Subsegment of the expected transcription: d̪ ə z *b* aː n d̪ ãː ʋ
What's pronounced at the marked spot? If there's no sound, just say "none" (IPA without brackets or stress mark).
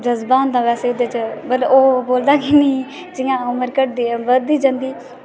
b